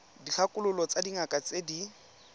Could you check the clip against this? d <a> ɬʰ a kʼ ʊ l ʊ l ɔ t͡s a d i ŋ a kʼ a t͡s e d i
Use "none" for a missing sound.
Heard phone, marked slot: i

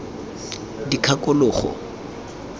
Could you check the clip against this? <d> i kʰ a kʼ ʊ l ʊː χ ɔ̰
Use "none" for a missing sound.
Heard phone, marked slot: d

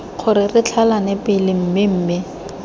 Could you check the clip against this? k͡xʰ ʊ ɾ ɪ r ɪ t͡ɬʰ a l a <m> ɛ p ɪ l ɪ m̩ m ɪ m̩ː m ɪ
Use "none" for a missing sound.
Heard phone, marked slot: n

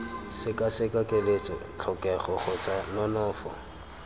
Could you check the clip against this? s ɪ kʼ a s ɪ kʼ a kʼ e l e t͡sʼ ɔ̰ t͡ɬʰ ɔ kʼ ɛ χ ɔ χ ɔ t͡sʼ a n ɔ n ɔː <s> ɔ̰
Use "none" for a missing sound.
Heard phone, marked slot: f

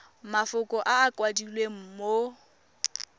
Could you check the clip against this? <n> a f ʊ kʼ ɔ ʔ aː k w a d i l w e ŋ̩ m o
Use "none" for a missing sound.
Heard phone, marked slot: m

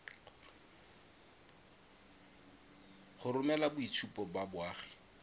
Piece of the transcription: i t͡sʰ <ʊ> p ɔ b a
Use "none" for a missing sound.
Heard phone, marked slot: u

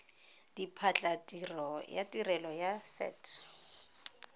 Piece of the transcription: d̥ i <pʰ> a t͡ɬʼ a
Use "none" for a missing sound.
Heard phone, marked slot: pʰ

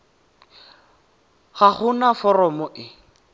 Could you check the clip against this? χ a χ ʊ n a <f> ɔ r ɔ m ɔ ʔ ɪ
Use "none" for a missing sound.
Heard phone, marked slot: f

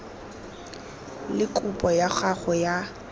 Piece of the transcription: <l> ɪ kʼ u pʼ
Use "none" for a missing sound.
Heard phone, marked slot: l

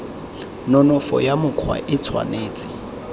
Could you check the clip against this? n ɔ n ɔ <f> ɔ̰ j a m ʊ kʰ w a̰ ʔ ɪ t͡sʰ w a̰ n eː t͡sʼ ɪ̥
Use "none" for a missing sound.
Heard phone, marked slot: f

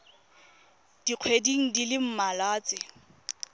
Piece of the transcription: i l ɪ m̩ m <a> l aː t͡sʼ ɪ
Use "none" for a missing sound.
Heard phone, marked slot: a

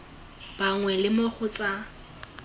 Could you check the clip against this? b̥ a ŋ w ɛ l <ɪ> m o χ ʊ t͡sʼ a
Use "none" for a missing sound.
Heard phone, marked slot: ɪ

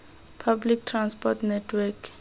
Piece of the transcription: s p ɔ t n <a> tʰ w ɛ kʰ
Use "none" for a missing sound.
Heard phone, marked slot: ɛ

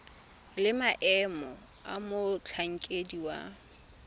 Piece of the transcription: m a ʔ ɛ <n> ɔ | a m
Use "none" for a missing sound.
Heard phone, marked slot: m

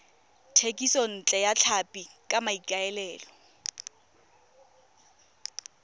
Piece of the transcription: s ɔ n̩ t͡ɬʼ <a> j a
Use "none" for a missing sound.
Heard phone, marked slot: ɛ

